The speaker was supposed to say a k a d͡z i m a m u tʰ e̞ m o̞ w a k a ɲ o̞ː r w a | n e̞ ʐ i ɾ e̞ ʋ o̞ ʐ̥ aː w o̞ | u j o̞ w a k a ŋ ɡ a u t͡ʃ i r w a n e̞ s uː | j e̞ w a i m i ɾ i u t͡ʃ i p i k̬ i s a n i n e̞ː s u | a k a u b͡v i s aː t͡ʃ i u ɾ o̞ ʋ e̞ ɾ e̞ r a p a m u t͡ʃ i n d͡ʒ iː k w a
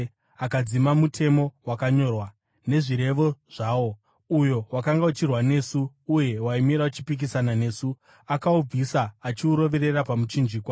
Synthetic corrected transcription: a k a d͡z i m a m u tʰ e̞ m o̞ w a k a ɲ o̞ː r w a | n e̞ ʐ i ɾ e̞ ʋ o̞ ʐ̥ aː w o̞ | u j o̞ w a k a ŋ ɡ a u t͡ʃ i r w a n e̞ s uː | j e̞ w a i m i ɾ a u t͡ʃ i p i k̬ i s a n a n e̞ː s u | a k a u b͡v i s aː t͡ʃ i u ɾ o̞ ʋ e̞ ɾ e̞ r a p a m u t͡ʃ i n d͡ʒ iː k w a